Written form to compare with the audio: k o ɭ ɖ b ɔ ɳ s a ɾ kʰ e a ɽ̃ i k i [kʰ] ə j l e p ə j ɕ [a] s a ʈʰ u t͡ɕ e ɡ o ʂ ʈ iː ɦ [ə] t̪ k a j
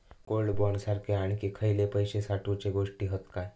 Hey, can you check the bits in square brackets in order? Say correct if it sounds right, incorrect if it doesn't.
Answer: correct, incorrect: e, correct

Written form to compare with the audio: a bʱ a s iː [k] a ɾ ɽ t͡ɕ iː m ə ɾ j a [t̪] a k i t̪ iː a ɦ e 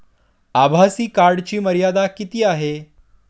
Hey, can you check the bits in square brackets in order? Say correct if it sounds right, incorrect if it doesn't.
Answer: correct, incorrect: d̪

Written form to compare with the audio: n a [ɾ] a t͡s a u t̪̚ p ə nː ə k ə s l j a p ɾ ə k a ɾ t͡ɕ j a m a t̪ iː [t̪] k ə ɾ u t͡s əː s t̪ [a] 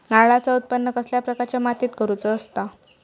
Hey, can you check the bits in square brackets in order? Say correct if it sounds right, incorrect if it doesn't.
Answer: incorrect: ɭ, correct, correct

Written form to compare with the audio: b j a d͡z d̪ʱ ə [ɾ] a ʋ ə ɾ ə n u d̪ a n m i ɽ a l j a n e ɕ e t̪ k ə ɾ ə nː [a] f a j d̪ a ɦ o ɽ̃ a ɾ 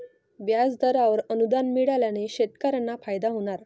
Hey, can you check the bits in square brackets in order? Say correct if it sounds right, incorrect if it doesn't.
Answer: correct, correct

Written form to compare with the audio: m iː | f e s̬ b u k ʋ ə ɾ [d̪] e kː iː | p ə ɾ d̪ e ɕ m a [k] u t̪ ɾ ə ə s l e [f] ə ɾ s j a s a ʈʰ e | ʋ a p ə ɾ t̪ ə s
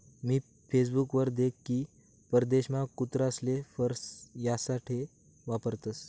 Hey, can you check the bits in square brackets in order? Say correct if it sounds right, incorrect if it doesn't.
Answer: correct, correct, correct

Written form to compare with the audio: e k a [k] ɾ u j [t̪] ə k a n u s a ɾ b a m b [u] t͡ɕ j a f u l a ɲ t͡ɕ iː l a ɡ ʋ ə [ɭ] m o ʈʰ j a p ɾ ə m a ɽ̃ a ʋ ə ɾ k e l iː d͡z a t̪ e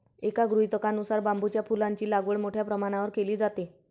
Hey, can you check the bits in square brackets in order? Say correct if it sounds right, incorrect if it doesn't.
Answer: incorrect: ɡ, correct, correct, correct

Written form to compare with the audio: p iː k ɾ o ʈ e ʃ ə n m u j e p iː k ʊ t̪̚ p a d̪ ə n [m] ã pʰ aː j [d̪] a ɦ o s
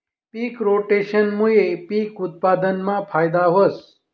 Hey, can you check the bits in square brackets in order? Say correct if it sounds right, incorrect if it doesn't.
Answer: correct, correct

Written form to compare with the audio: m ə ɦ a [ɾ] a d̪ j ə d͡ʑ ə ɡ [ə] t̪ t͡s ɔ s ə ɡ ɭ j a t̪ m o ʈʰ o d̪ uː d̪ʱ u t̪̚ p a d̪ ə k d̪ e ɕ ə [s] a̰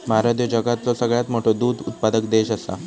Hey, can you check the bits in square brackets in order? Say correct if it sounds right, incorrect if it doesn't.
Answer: correct, incorrect: a, correct

